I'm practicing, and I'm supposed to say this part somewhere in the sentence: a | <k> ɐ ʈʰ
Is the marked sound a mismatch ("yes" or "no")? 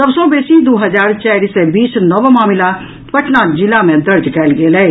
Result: yes